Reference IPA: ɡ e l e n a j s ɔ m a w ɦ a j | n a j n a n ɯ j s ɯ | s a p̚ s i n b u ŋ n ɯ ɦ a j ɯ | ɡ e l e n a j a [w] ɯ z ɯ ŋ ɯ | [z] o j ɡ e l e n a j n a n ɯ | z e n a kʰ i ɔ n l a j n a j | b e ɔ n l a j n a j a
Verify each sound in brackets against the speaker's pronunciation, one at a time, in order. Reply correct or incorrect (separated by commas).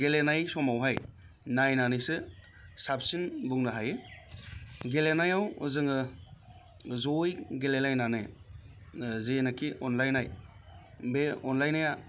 correct, correct